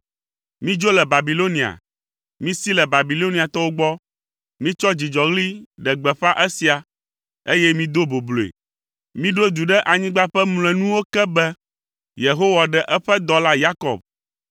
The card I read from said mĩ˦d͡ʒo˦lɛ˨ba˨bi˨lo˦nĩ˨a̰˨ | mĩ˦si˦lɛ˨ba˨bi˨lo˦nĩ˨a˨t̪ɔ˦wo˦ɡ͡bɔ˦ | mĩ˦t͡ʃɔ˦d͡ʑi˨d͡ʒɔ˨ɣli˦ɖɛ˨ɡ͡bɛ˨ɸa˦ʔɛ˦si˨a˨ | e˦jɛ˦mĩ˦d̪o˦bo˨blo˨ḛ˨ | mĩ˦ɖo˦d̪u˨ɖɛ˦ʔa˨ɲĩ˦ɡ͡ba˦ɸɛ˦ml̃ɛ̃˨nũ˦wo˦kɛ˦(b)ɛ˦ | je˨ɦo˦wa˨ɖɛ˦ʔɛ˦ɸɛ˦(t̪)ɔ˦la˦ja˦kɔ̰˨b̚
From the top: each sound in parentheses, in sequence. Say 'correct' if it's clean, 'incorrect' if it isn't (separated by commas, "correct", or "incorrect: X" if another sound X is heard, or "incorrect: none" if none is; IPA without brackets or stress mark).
correct, incorrect: d̪